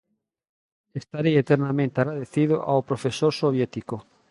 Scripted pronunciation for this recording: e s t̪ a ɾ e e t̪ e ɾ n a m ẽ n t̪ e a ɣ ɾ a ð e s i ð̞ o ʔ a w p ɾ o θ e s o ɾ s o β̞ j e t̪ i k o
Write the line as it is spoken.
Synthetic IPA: e s t̪ a ɾ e e t̪ e ɾ n a m ẽ n t̪ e a ɣ ɾ a ð e θ i ð̞ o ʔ a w p ɾ o f e s o ɾ s o β̞ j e t̪ i k o

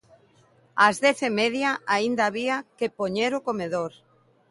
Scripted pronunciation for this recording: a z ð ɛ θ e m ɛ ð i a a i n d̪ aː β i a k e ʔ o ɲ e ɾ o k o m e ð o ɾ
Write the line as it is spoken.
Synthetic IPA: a z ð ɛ θ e m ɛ ð j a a i n d̪ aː β i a k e p o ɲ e ɾ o k o m e ð o ɾ

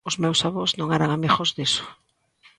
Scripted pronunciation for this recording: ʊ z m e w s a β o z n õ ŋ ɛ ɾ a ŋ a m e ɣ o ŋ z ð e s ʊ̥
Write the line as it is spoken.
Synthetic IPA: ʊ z m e w s a β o z n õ ŋ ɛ ɾ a ŋ a m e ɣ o z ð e s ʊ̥

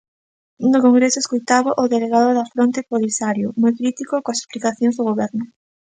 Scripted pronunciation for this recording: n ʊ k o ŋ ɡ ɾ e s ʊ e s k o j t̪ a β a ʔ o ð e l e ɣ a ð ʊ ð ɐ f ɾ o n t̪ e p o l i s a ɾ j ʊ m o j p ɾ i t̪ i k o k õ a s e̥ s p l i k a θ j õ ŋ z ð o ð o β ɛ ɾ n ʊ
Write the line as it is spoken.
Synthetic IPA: n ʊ k o ŋ ɡ ɾ e s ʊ e s k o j t̪ a β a ʔ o ð e l e ɣ a ð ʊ ð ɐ f ɾ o n t̪ e p o l i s a ɾ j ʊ m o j k ɾ i t̪ i k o k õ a s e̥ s p l i k a θ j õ ŋ z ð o ɣ o β ɛ ɾ n ʊ

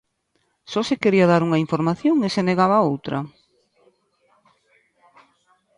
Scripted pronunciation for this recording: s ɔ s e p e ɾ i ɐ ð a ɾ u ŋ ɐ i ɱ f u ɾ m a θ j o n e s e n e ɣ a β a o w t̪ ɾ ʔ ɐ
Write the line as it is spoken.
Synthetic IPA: s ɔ s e k e ɾ i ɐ ð a ɾ u ŋ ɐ i ɱ f o ɾ m a θ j o ŋ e s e n e ɣ a β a o w t̪ ɾ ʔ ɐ

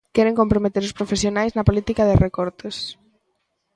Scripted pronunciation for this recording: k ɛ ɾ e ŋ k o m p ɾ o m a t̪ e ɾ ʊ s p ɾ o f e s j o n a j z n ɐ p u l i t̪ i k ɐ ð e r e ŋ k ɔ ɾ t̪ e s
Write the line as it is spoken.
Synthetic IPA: k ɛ ɾ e ŋ k o m p ɾ o m e t̪ e ɾ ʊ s p ɾ o f e s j o n a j z n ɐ p o l i t̪ i k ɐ ð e r e k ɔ ɾ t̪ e s

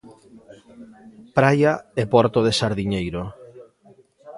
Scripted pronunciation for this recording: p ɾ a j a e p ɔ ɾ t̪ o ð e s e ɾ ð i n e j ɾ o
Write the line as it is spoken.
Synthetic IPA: p ɾ a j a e p ɔ ɾ t̪ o ð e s a ɾ ð i ɲ e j ɾ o

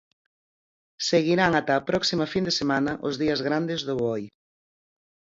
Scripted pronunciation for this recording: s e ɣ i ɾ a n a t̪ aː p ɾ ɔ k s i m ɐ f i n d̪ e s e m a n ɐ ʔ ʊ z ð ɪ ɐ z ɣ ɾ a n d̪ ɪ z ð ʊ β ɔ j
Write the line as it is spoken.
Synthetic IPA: s e ɣ i ɾ a ŋ a t̪ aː p ɾ ɔ k s i m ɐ f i n d̪ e s e m a n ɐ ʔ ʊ z ð i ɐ z ɣ ɾ a n d̪ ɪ z ð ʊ β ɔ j

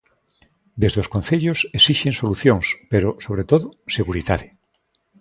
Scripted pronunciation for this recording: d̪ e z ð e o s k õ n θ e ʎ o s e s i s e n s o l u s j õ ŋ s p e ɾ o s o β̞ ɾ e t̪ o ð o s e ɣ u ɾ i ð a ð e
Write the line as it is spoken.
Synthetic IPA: d̪ e z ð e o s k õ n θ e ʎ o s e s i ʃ e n s o l u θ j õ ŋ s p e ɾ o s o β̞ ɾ e t̪ o ð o s e ɣ u ɾ i ð a ð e

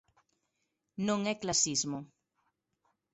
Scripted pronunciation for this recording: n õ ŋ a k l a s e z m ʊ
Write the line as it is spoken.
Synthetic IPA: n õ ŋ ɛ k l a s i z m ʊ

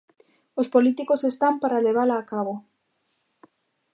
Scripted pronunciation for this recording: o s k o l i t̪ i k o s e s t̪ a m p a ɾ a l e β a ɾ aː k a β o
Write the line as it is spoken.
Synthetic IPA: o s p o l i t̪ i k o s e s t̪ a m p a ɾ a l e β a l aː k a β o

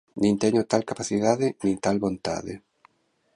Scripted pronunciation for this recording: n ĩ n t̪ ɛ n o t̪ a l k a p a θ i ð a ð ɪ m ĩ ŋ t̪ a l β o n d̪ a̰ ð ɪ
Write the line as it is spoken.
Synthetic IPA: n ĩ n t̪ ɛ ɲ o t̪ a l k a p a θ i ð a ð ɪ n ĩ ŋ t̪ a l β o n t̪ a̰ ð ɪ

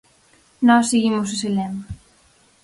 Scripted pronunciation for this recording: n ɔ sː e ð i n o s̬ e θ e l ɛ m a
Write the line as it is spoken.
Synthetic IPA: n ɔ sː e ɣ i m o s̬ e s e l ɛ m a

